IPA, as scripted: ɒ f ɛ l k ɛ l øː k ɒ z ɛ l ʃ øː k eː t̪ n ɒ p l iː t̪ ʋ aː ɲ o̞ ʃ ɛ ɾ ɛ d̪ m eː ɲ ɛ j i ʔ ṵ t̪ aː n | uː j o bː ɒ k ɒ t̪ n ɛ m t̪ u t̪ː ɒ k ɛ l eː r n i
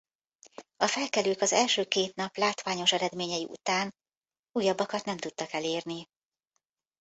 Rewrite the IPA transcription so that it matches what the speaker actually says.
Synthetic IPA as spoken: ɒ f ɛ l k ɛ l øː k ɒ z ɛ l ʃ øː k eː t̪ n ɒ p l aː t̪ ʋ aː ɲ o̞ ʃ ɛ ɾ ɛ d̪ m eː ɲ ɛ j i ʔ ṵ t̪ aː n | uː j ɒ bː ɒ k ɒ t̪ n ɛ m t̪ u t̪ː ɒ k ɛ l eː r n i